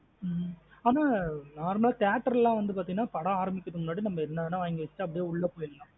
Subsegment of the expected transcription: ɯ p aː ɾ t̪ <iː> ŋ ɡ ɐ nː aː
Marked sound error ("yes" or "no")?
yes